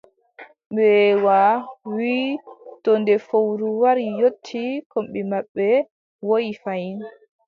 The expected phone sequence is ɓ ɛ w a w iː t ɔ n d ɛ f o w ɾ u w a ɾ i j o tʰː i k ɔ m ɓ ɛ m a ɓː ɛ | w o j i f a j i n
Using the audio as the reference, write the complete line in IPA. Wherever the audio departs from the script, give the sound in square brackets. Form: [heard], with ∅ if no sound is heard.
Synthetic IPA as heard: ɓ ɛ w a w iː t ɔ n d ɛ f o w ɾ u w a ɾ i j o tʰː i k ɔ m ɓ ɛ m a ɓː ɛ | w o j i f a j i n